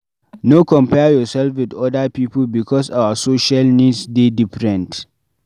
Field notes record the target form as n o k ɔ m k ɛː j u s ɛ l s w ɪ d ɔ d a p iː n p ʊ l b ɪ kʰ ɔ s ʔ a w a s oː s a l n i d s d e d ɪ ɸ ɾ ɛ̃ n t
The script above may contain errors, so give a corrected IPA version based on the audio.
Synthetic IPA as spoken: n o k ɔ m p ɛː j ɔ s ɛ l f w ɪ d ɔ d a p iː p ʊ l b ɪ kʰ ɔ s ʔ a w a s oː ʃ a l n i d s d e d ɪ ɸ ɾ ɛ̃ n t